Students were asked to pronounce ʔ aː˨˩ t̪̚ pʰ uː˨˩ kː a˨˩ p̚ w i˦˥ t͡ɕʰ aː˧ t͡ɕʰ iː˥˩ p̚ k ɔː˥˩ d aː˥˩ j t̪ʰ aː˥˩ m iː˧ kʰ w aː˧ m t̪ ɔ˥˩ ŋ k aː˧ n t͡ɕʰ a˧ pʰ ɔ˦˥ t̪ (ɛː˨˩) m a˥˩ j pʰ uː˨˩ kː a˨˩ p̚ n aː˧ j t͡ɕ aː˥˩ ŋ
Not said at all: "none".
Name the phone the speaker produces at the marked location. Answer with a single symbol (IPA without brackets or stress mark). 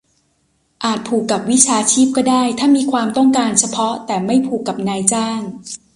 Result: ɛː˨˩